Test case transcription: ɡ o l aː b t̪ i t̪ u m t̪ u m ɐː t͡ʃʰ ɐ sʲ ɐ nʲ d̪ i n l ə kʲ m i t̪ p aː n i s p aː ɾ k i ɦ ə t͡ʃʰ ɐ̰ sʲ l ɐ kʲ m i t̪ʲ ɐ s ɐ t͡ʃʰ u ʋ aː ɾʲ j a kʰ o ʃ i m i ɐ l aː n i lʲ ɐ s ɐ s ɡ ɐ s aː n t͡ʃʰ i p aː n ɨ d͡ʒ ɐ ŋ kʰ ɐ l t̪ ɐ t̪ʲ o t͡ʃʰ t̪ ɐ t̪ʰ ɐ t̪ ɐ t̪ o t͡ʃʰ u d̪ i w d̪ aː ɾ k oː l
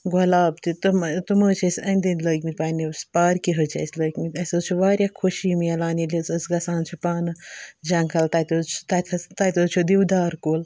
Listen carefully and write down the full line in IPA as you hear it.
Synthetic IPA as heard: ɡ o l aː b t̪ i t̪ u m t̪ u m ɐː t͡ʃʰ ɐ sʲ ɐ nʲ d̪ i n l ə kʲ m i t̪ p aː n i s p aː ɾ k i ɦ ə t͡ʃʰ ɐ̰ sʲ l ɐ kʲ m i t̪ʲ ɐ s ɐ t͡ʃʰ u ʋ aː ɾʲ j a kʰ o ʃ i m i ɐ l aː n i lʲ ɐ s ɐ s ɡ ɐ s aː n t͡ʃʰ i p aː n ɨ d͡ʒ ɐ ŋ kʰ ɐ l t̪ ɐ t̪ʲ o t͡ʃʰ t̪ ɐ t̪ʰ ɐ t̪ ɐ t̪ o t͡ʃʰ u d̪ i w d̪ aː ɾ k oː l